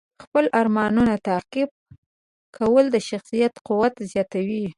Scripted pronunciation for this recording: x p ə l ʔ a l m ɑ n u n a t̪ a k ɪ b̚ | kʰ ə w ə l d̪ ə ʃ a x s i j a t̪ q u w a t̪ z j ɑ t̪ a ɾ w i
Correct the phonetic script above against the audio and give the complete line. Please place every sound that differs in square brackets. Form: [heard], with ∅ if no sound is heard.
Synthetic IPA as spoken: x p ə l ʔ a [ɾ] m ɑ n u n a t̪ a [q] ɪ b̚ | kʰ [a] w ə l d̪ ə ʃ a x s i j a t̪ q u w a t̪ z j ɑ t̪ a [∅] w i